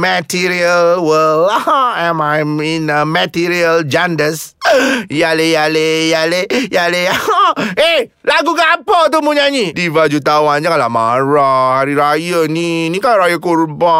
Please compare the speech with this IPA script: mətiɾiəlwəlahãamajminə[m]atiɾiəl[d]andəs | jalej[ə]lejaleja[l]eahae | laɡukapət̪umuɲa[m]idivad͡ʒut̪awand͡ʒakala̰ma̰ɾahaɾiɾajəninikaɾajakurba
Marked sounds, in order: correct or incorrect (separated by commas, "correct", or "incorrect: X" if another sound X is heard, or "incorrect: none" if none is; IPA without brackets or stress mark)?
correct, incorrect: d͡ʒ, incorrect: a, correct, incorrect: ɲ